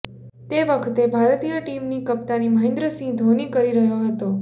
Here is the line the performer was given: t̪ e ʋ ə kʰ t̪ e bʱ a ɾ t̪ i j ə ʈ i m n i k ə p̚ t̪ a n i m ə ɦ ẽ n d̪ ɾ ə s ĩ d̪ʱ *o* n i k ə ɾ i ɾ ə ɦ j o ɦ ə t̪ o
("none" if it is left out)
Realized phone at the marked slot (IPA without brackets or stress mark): o